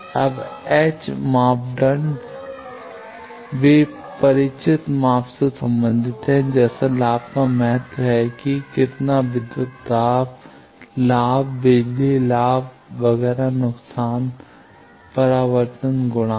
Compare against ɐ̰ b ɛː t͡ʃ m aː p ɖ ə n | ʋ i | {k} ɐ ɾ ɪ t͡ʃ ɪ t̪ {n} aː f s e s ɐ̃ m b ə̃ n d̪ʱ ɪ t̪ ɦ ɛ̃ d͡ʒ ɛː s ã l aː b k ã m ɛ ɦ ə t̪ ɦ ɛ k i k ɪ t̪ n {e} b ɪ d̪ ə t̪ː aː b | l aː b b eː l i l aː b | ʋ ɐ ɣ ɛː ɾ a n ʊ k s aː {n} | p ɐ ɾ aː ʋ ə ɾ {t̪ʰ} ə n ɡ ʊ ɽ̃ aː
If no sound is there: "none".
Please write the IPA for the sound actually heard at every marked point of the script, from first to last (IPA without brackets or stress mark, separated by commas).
p, m, a, n, t̪